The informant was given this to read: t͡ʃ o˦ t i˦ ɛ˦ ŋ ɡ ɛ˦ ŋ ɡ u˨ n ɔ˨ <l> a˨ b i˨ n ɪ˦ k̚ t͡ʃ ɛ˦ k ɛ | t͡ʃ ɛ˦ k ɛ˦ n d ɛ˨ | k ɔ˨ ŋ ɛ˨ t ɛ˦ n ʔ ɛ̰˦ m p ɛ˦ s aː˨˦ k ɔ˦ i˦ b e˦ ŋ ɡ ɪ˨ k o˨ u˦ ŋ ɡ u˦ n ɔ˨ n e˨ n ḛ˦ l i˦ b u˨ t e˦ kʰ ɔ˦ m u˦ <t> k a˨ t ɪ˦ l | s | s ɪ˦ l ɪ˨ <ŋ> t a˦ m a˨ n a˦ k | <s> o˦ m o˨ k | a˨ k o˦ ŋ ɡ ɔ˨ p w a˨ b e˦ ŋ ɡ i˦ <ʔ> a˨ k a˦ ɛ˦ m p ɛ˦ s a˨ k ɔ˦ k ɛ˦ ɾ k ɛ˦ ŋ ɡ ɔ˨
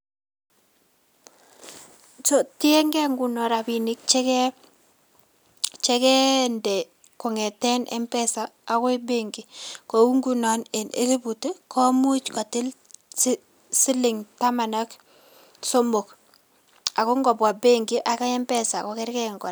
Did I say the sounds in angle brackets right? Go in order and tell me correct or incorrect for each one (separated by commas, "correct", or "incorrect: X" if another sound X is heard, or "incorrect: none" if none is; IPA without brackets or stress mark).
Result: incorrect: ɾ, incorrect: t͡ʃ, correct, correct, correct